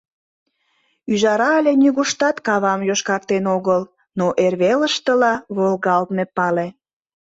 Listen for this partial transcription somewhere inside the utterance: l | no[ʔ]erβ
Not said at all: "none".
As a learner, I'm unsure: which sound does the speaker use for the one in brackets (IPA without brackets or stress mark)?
ʔ